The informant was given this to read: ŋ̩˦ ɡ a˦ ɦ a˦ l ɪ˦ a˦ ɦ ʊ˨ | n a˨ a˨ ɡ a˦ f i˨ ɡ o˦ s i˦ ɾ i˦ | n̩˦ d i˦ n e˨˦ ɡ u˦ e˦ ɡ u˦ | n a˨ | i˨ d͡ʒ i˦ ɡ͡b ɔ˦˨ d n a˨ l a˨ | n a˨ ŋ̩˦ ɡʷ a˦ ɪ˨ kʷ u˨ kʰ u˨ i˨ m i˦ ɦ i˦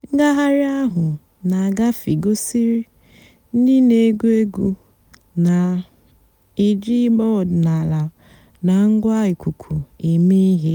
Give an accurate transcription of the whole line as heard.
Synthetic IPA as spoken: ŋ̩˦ ɡ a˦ ɦ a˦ ɾ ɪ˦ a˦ ɦ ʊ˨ | n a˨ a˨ ɡ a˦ f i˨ ɡ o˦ s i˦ ɾ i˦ | n̩˦ d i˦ n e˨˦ ɡ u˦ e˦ ɡ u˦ | n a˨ | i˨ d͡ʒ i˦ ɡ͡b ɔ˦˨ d n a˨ l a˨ | n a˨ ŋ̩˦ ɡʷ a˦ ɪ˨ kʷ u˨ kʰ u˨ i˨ m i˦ ɦ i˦